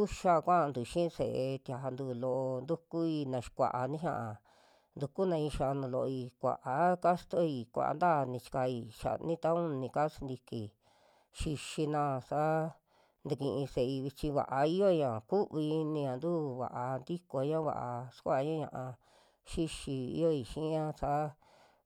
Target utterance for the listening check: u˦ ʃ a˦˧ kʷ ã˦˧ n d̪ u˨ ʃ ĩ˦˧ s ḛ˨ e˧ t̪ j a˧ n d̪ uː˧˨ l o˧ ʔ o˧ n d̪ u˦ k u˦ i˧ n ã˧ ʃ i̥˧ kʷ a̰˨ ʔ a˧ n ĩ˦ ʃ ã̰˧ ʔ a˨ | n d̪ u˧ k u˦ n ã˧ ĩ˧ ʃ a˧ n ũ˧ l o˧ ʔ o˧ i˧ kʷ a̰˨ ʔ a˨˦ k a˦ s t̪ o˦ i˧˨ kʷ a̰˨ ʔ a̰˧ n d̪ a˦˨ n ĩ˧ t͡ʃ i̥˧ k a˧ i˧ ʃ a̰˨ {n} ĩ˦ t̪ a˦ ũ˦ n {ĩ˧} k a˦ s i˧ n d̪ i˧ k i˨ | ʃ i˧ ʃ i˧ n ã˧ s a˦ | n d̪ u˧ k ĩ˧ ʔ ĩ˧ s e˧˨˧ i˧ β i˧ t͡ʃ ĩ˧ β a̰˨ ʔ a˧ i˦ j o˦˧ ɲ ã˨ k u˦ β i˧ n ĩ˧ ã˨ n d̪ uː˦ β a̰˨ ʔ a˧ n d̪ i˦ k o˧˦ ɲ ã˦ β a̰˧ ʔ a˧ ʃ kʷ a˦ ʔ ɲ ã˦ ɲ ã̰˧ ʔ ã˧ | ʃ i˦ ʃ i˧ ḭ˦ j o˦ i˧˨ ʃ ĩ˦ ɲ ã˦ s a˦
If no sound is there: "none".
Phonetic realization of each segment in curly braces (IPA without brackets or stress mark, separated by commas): n, ĩ˧